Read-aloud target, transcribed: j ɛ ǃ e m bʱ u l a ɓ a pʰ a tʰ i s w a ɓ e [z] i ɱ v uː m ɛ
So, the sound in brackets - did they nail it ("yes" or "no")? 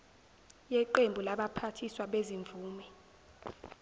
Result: yes